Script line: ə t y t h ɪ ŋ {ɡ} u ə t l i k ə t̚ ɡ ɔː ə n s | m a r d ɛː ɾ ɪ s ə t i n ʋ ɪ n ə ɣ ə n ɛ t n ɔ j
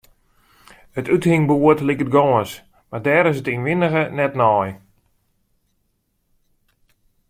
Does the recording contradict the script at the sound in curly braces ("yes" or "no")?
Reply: yes